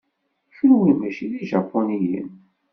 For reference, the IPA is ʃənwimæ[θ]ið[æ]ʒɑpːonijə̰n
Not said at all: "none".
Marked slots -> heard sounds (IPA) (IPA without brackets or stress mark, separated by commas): ʃ, i